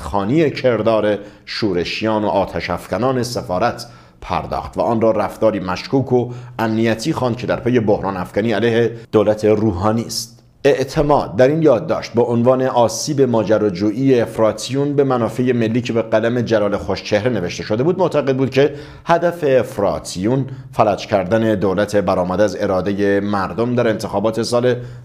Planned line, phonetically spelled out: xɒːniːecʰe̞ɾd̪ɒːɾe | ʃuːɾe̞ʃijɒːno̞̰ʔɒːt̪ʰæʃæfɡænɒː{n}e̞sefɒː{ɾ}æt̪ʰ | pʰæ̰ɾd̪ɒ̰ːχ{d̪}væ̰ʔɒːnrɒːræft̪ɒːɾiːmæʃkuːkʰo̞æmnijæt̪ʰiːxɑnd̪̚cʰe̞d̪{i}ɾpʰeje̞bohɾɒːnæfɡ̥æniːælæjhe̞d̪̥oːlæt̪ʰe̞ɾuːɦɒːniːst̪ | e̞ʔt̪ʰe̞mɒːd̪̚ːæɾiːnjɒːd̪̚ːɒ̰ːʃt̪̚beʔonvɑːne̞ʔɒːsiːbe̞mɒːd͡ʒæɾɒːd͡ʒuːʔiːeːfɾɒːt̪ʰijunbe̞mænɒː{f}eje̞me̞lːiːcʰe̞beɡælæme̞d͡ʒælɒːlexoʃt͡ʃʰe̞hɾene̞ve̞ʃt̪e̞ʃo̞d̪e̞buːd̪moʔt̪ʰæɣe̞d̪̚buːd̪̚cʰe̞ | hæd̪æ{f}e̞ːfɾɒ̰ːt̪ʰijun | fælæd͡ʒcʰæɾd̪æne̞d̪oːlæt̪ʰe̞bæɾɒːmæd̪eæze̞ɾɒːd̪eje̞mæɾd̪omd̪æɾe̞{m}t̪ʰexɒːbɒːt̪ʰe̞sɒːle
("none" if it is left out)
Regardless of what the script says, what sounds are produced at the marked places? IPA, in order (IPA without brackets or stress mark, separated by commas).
n, ɾ, t̪, æ, f, f, n